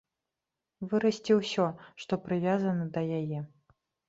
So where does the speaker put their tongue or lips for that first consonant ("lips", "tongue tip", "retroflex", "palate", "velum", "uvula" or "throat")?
lips